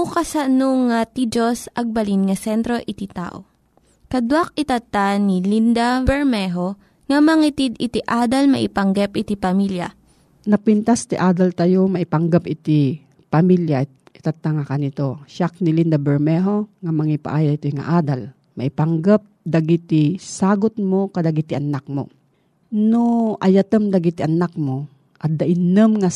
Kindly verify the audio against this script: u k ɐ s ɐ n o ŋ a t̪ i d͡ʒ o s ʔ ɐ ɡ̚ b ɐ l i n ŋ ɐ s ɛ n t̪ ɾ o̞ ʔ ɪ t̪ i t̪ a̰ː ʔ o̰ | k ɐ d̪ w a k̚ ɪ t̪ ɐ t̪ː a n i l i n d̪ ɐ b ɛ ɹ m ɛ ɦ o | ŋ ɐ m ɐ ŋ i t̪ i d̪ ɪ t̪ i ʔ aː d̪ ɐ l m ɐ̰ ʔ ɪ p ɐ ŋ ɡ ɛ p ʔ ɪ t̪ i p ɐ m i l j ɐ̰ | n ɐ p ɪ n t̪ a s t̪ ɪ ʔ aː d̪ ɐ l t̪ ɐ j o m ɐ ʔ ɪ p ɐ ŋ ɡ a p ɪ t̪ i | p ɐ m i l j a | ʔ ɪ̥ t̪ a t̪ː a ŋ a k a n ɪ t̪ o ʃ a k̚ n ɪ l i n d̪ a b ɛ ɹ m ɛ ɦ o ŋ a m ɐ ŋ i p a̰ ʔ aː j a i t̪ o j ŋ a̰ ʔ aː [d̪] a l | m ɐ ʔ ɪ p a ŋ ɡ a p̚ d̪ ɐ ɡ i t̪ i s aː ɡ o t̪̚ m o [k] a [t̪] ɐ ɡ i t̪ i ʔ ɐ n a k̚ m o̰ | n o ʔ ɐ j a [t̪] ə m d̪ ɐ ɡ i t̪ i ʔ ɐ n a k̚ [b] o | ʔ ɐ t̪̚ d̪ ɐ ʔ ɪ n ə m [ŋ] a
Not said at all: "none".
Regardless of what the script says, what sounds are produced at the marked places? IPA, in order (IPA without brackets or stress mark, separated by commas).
d̪, k, d̪, t̪, m, ŋ